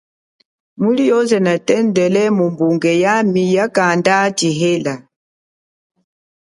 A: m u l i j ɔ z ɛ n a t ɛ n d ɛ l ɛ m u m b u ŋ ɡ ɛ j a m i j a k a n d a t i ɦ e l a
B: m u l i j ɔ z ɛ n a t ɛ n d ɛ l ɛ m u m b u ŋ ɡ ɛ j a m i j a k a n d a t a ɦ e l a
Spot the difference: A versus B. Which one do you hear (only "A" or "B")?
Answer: A